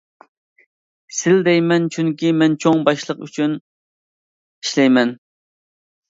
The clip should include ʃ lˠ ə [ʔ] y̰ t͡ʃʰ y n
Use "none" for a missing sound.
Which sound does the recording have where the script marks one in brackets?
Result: q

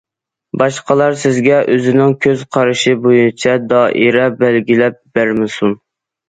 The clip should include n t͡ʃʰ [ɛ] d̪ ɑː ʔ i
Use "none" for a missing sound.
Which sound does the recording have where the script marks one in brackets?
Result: ɛ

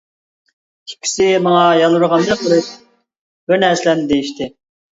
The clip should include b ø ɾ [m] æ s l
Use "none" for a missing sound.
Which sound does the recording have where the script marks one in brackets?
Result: n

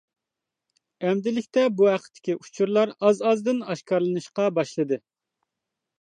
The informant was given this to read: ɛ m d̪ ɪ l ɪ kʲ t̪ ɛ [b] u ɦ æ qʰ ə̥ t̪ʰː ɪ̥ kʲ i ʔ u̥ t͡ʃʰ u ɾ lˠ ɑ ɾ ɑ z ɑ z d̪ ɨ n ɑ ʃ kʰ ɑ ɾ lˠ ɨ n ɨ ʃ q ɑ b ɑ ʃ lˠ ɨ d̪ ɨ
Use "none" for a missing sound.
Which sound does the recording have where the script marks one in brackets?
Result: b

